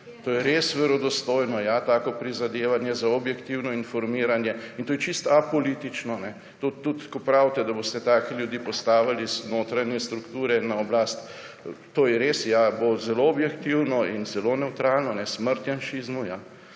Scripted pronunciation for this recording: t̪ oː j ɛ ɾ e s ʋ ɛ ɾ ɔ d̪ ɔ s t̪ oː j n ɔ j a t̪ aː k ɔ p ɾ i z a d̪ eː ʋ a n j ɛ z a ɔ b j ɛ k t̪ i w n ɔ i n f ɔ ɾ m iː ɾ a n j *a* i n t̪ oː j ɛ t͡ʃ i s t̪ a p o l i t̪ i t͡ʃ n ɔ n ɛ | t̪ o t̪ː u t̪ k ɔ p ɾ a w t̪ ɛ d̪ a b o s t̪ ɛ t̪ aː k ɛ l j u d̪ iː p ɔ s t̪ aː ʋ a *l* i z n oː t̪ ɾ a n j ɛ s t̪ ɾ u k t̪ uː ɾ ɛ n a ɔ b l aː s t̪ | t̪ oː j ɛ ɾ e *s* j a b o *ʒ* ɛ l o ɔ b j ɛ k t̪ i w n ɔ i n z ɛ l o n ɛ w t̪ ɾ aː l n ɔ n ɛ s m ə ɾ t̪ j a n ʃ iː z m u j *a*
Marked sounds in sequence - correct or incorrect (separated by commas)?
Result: incorrect, correct, correct, incorrect, correct